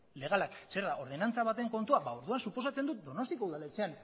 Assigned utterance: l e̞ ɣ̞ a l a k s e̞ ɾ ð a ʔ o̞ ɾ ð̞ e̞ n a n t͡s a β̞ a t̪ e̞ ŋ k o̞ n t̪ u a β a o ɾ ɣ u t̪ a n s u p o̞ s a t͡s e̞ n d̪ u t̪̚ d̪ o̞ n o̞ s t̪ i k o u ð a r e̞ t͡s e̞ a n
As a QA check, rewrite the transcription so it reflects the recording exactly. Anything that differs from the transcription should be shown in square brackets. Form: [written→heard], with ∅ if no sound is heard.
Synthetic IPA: l e̞ ɣ̞ a l a k s e̞ ɾ ð a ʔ o̞ ɾ ð̞ e̞ n a n t͡s a β̞ a t̪ e̞ ŋ k o̞ n t̪ u a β a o ɾ [ɣ→ð] u [t̪→∅] a n s u p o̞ s a t͡s e̞ n d̪ u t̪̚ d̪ o̞ n o̞ s t̪ i k o u ð a [r→l] e̞ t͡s e̞ a n